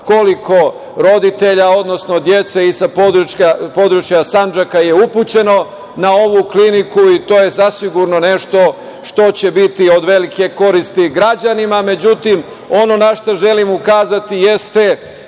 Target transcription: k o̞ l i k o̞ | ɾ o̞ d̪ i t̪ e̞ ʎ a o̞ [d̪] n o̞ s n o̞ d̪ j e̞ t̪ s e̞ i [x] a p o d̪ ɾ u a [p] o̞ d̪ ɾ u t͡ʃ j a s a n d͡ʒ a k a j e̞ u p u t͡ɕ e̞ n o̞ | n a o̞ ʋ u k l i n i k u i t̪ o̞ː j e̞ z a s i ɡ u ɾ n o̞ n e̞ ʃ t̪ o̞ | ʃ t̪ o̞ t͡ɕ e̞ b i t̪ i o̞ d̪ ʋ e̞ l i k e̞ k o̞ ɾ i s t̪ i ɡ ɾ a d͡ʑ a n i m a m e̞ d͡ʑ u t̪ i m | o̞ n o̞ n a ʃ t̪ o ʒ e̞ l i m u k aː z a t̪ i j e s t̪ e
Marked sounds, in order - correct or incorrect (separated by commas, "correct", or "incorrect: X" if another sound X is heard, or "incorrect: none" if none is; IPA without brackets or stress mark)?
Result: correct, incorrect: s, correct